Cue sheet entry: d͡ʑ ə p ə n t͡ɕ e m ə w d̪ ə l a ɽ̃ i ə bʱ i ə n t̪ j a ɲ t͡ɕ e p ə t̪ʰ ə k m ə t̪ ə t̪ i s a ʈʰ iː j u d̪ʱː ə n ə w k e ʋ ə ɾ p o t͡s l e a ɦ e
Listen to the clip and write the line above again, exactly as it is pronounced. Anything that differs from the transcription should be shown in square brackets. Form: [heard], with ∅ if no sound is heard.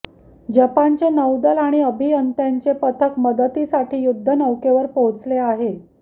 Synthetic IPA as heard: d͡ʑ ə p [a] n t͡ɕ e [n] ə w d̪ ə l a ɽ̃ i ə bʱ i ə n t̪ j a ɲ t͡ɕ e p ə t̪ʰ ə k m ə [d̪] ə t̪ i s a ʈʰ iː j u d̪ʱː ə n ə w k e ʋ ə ɾ p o t͡s l e a ɦ e